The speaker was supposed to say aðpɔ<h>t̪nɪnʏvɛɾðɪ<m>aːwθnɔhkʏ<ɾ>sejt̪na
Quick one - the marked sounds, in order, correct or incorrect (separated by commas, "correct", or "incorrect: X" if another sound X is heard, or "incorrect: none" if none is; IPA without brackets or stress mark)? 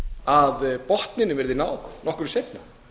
correct, incorrect: n, correct